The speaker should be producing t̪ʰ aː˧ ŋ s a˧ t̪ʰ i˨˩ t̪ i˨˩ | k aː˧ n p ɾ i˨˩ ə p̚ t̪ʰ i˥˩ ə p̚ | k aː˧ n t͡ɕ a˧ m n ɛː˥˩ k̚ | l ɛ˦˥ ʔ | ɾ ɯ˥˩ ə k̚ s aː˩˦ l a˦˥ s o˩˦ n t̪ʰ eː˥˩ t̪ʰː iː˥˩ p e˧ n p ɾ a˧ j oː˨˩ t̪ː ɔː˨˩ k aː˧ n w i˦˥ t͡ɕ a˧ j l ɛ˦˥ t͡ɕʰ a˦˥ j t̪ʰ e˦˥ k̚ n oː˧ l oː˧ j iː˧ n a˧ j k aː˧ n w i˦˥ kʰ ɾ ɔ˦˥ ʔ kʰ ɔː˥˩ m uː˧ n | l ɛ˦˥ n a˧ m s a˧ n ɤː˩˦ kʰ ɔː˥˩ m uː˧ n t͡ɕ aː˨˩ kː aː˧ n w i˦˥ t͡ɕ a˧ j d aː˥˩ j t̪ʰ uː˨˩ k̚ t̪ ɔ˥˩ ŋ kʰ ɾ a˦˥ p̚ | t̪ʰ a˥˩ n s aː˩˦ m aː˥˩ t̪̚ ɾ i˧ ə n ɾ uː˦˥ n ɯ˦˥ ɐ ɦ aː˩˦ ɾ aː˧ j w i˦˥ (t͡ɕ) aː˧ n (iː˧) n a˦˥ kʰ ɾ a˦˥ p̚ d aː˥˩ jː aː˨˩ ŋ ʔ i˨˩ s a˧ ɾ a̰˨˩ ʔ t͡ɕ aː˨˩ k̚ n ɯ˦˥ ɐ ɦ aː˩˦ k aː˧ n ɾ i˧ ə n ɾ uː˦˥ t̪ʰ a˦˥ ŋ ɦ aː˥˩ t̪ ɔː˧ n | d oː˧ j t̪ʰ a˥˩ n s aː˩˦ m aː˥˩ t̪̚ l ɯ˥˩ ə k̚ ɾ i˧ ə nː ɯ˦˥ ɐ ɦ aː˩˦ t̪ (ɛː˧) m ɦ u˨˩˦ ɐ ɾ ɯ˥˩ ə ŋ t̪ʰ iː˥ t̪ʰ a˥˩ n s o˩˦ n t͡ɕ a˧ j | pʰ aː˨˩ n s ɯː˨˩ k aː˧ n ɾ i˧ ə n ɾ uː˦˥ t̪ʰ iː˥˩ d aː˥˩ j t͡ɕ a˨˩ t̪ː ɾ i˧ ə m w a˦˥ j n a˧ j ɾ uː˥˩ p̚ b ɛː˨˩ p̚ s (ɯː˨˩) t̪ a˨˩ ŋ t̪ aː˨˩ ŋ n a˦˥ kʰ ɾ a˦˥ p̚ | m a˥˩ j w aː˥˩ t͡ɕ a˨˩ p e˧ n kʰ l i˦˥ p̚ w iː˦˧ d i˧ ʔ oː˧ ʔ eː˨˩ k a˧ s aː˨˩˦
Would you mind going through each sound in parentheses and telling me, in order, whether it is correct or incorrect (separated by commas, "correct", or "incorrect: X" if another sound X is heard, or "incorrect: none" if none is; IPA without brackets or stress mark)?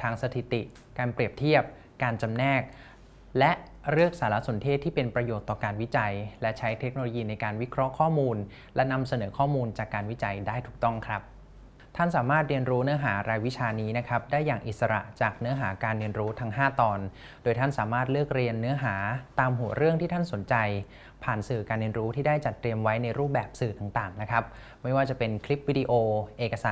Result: incorrect: t͡ɕʰ, incorrect: iː˦˥, incorrect: aː˧, correct